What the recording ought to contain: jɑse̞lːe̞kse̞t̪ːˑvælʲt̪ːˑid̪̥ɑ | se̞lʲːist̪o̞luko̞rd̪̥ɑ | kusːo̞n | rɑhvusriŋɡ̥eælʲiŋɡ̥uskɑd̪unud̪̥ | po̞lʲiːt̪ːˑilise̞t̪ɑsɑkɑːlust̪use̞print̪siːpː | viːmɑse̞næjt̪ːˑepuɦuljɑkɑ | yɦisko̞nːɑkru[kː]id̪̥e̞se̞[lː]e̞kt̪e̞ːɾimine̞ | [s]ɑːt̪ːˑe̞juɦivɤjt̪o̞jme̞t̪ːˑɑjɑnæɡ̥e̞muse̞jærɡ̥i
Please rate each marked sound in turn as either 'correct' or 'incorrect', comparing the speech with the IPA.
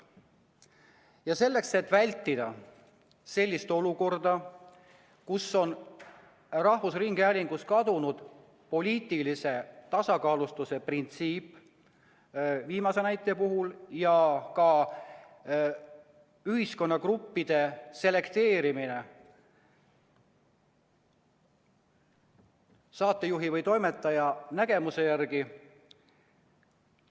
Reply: incorrect: pː, incorrect: l, correct

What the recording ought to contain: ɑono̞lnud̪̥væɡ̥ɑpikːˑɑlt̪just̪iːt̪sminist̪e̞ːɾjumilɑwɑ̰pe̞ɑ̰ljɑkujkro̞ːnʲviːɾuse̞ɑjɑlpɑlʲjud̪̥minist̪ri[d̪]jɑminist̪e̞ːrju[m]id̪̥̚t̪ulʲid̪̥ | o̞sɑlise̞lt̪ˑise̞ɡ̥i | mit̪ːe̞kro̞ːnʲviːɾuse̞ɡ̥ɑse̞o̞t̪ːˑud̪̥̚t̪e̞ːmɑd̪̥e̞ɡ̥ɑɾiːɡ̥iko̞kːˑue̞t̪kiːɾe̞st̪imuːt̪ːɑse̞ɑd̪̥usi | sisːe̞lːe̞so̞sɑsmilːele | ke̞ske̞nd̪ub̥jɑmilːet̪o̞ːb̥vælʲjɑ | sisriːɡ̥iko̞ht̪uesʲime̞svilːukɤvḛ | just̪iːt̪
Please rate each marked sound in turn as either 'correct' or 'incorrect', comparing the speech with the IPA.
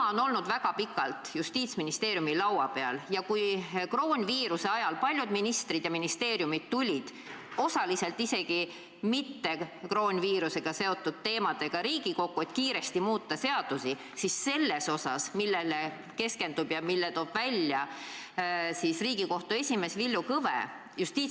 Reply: correct, correct

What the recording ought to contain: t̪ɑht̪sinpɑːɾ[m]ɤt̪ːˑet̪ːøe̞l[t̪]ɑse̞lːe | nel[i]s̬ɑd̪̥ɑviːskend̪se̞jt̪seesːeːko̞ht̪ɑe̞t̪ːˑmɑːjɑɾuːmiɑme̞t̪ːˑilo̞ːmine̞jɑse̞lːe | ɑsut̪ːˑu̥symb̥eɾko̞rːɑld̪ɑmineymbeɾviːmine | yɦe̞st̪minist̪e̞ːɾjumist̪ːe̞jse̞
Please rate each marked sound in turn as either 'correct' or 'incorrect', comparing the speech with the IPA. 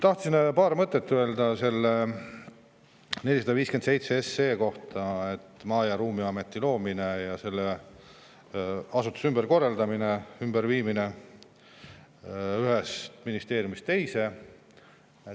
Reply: correct, incorrect: d̪, correct

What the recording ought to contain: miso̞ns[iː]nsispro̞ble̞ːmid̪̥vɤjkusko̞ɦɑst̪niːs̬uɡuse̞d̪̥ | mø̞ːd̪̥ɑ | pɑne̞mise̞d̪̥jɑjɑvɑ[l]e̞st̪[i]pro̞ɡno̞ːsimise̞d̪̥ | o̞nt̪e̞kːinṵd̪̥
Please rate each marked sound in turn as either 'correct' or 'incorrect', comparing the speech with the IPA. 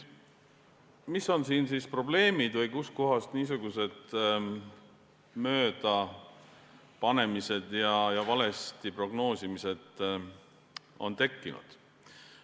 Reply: correct, correct, correct

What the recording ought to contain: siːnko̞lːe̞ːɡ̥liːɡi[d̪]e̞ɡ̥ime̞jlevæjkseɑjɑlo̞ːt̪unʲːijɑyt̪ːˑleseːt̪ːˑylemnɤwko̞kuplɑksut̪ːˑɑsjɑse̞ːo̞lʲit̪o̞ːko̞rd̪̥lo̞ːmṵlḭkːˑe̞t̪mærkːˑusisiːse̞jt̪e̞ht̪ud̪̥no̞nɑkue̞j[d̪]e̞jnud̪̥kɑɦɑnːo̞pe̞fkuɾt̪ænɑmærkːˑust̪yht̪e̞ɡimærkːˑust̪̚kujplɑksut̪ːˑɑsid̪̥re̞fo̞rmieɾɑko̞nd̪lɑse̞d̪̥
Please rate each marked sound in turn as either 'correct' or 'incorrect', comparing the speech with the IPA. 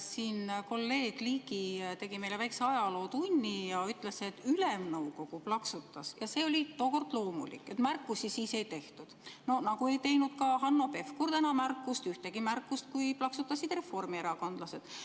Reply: incorrect: t̪, incorrect: t̪

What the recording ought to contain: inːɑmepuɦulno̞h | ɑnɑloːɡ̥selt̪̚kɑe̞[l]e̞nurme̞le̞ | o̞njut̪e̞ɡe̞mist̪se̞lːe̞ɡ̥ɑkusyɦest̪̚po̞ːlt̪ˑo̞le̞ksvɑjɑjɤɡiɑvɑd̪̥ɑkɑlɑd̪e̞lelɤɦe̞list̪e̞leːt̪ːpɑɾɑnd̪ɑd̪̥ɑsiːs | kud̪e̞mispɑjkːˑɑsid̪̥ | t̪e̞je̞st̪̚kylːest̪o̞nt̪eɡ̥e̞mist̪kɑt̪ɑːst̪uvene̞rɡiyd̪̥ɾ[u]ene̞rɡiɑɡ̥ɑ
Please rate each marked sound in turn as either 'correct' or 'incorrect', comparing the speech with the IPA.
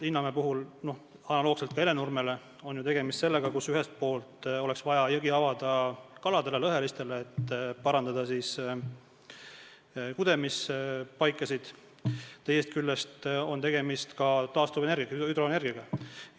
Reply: correct, incorrect: o

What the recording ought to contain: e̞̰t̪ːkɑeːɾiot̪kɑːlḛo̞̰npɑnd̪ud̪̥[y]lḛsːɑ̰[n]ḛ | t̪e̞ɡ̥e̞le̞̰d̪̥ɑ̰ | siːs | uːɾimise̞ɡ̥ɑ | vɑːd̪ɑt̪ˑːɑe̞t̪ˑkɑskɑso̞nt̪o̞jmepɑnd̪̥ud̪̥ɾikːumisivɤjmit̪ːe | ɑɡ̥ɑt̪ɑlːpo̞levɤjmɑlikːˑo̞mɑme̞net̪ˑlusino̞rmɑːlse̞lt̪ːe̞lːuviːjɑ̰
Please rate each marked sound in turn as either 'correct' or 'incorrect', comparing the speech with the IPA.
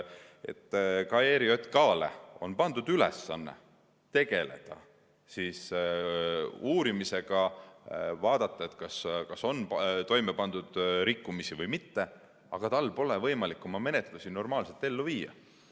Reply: correct, incorrect: nː

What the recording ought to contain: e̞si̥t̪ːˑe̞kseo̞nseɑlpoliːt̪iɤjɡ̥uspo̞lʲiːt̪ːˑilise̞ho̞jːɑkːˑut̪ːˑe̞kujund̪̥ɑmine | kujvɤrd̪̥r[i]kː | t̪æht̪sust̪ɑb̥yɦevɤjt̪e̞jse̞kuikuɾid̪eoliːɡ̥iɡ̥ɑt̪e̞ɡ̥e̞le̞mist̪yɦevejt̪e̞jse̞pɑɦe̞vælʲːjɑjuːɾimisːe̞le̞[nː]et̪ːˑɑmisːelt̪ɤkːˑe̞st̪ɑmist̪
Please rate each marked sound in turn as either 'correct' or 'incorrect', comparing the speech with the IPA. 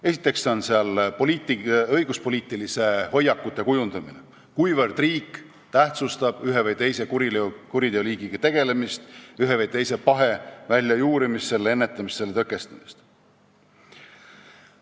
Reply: incorrect: iː, correct

